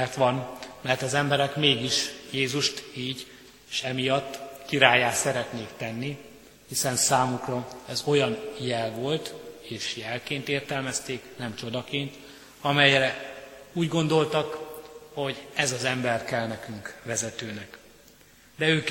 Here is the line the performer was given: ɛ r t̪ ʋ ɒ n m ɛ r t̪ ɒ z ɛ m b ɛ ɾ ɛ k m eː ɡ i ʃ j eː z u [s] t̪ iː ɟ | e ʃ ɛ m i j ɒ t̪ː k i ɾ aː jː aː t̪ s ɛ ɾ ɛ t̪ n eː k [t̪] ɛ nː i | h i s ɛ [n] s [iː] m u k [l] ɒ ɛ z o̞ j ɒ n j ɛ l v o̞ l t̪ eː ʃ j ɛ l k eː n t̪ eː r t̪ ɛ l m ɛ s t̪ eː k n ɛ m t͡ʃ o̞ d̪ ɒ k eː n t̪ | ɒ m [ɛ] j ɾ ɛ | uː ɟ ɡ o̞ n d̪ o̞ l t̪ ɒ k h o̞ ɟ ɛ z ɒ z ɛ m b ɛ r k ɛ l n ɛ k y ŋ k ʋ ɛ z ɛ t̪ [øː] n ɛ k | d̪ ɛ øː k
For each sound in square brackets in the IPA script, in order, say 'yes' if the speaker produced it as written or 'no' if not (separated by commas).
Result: no, yes, yes, no, no, yes, yes